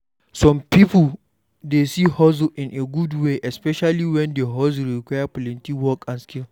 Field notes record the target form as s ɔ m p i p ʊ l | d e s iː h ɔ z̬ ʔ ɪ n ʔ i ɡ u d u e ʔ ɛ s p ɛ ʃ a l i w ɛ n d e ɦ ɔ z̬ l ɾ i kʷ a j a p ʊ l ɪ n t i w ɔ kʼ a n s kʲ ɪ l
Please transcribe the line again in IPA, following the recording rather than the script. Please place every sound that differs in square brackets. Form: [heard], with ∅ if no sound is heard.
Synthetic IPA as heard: s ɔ m p i p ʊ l | d e s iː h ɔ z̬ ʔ ɪ n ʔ [e] ɡ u d [w] e ʔ ɛ s p ɛ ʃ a l i w ɛ n d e ɦ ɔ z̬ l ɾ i kʷ a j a p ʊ l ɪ n t i w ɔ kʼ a n s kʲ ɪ l